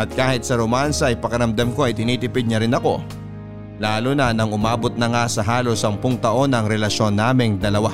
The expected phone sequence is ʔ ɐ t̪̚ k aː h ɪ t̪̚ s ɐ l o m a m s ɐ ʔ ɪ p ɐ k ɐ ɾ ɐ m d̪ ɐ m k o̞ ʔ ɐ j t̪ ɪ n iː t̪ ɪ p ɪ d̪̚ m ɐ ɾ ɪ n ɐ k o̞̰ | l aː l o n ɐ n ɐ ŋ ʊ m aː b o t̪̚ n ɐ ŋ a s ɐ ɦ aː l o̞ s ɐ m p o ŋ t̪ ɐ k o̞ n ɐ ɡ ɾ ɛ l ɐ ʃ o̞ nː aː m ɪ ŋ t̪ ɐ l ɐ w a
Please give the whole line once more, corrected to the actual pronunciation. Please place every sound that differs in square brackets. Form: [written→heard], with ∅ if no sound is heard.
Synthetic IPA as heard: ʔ ɐ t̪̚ k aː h ɪ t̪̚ s ɐ [l→ɾ] o m a [m→n] s ɐ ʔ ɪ p ɐ k ɐ ɾ ɐ m d̪ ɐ m k o̞ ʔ ɐ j t̪ ɪ n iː t̪ ɪ p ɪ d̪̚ [m→ɲ] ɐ ɾ ɪ n ɐ k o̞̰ | l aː l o n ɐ n ɐ ŋ ʊ m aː b o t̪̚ n ɐ ŋ a s ɐ ɦ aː l o̞ s ɐ m p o ŋ t̪ ɐ [k→ʔ] o̞ n ɐ [ɡ→ŋ] ɾ ɛ l ɐ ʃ o̞ nː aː m ɪ ŋ [t̪→d̪] ɐ l ɐ w a